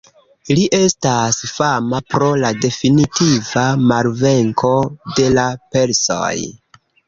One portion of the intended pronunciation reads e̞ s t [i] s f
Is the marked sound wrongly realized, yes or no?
yes